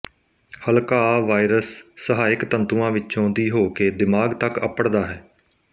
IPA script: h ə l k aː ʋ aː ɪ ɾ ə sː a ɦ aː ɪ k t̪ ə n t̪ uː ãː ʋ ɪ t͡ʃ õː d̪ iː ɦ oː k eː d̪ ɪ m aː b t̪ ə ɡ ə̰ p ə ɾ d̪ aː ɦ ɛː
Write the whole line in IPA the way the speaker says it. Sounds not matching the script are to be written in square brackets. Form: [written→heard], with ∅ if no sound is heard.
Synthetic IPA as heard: h ə l k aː ʋ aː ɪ ɾ ə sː [a→ə] ɦ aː ɪ k t̪ ə n t̪ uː ãː ʋ ɪ t͡ʃ õː d̪ iː ɦ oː k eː d̪ ɪ m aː [b→ɡ] t̪ ə [ɡ→k] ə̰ p ə [ɾ→ɽ] d̪ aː ɦ ɛː